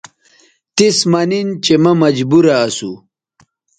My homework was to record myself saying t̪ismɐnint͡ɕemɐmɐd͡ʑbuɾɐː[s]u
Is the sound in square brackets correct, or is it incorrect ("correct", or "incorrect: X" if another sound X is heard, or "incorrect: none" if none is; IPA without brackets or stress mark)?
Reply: correct